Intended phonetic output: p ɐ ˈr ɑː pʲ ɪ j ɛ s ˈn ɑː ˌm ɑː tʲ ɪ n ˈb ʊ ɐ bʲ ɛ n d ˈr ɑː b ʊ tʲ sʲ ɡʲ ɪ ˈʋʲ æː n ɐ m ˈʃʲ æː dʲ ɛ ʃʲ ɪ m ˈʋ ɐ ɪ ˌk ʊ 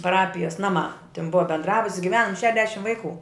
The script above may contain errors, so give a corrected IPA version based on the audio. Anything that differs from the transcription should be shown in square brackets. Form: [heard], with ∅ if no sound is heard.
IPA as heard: p ɐ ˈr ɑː pʲ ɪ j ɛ s ˈn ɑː ˌm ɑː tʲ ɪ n ˈb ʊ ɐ bʲ ɛ n d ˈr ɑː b ʊ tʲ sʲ ɡʲ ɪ ˈʋʲ æː n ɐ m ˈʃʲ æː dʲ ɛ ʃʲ ɪ m ˈʋ ɐ ɪ ˌk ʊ